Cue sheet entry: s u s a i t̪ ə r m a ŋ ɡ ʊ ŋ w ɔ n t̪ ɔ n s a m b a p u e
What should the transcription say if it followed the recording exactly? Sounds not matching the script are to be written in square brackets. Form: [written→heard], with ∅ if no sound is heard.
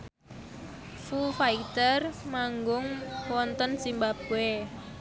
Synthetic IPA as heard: [s→f] u [s→f] a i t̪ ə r m a ŋ ɡ ʊ ŋ w ɔ n t̪ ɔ n s [a→i] m b a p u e